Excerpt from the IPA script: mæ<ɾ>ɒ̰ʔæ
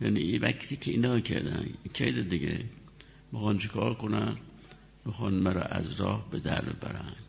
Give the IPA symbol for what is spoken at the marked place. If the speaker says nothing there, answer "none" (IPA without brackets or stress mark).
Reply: ɾ